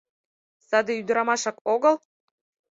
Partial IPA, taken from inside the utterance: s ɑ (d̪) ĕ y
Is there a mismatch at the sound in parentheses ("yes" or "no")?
no